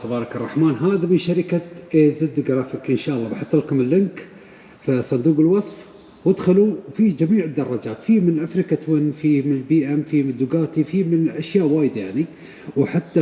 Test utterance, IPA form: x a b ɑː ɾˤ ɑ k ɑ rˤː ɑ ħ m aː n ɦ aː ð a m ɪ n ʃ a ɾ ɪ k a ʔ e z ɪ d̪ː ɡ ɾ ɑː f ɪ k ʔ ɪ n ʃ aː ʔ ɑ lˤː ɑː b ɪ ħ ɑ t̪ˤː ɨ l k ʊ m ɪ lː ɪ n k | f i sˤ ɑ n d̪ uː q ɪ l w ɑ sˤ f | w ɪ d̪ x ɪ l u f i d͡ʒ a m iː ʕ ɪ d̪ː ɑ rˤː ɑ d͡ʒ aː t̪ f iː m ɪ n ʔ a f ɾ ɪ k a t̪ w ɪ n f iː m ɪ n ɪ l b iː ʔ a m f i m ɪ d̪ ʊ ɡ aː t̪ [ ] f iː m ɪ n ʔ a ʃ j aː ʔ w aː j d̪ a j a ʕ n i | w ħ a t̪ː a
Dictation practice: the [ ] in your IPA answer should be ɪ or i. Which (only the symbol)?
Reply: i